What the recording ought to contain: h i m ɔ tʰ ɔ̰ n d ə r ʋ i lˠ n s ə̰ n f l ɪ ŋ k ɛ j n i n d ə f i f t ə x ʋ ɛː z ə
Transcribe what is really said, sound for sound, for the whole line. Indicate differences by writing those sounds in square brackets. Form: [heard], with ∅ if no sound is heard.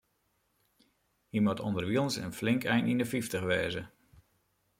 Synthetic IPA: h i m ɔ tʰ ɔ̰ n d ə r ʋ i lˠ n s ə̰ n f l ɪ ŋ k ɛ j n i n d ə f i f t ə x ʋ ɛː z ə